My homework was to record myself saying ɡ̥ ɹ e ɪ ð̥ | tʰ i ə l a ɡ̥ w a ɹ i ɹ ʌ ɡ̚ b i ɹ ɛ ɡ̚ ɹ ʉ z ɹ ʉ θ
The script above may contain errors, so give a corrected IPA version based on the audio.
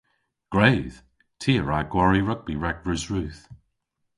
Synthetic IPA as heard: ɡ̥ ɹ e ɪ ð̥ | tʰ i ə ɹ a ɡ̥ w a ɹ i ɹ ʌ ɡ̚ b i ɹ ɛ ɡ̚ ɹ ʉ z ɹ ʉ θ